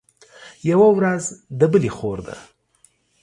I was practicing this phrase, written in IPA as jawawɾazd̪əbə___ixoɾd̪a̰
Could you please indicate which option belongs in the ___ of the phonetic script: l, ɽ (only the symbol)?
l